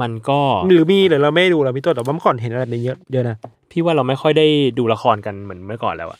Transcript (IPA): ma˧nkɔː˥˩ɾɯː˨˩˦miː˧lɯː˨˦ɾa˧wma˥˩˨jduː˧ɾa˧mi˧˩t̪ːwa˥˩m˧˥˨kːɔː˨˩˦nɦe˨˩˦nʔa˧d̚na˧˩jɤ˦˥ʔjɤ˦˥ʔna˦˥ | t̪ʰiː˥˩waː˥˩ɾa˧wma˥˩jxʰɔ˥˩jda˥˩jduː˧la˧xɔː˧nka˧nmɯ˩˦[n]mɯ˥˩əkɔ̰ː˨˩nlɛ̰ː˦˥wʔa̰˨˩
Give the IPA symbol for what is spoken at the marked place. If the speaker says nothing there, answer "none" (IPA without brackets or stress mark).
n